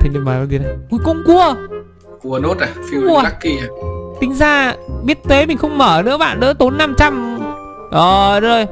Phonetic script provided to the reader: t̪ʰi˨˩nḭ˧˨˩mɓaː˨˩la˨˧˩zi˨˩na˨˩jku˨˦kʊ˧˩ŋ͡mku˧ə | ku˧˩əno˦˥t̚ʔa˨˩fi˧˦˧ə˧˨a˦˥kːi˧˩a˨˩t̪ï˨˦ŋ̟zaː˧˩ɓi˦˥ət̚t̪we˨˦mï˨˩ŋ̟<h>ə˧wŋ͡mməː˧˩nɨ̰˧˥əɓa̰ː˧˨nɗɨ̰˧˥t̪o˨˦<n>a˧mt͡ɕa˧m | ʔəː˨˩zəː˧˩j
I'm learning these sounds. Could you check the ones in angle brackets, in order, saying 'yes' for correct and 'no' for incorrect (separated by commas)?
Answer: no, no